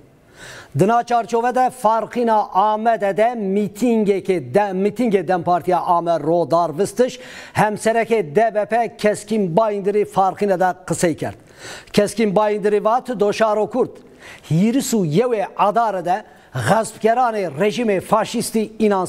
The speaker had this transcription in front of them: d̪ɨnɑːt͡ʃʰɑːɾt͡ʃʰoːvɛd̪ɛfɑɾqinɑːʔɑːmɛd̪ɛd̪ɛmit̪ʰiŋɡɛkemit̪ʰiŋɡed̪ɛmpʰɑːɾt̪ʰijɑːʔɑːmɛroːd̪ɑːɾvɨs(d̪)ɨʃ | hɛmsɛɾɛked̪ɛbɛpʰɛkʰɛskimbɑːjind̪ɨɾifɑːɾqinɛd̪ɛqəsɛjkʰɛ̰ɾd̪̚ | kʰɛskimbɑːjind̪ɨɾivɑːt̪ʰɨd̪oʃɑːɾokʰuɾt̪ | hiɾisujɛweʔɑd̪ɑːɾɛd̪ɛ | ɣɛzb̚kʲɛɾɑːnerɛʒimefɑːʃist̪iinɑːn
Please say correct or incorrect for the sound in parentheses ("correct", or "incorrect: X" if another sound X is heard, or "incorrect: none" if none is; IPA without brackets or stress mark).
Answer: incorrect: t̪